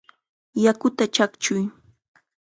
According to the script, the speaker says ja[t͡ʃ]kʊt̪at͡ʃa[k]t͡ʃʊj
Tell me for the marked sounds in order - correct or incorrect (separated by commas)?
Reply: incorrect, correct